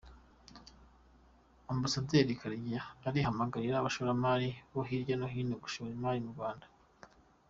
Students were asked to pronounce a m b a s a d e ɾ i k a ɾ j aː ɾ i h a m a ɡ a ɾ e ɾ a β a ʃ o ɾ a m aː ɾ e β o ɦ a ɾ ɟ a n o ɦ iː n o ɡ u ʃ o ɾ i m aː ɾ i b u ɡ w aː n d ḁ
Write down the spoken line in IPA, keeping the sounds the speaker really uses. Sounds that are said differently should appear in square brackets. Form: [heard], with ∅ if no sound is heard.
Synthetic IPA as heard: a m b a s a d e ɾ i k a ɾ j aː ɾ i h a m a ɡ a ɾ [i] ɾ a β a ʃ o ɾ a m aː ɾ [i] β o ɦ [i] ɾ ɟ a n o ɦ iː n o ɡ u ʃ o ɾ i m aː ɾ i [m] u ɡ w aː n d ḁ